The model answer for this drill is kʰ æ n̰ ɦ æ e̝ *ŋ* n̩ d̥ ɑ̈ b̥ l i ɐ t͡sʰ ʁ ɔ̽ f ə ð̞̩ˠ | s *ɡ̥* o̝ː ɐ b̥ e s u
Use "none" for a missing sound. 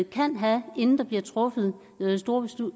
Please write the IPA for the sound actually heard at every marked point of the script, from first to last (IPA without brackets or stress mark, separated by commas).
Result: n, d̥